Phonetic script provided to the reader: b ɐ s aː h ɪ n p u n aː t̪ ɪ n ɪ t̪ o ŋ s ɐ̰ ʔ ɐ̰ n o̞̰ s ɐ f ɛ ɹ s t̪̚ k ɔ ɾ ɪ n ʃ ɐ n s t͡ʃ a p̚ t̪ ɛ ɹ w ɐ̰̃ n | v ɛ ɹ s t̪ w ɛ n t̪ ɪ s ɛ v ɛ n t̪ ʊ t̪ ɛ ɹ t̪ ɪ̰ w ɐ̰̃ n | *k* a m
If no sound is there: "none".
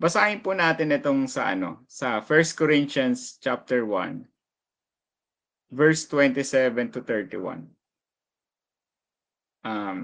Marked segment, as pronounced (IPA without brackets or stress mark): ʔ